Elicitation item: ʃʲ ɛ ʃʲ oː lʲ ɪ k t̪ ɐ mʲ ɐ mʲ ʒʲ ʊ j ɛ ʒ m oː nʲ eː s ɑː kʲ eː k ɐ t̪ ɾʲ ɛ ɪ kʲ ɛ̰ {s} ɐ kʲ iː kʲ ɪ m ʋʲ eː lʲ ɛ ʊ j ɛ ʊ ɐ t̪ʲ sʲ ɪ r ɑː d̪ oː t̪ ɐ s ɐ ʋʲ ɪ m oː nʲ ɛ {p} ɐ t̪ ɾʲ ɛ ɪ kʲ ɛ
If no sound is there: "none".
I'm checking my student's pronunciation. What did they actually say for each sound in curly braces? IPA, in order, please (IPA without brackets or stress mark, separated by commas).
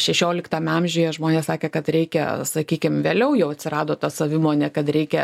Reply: s, k